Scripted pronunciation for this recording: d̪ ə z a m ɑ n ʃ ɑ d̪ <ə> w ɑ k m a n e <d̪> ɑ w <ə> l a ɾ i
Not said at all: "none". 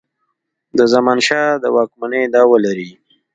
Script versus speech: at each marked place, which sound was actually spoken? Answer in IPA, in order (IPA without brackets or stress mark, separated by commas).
ə, d̪, ə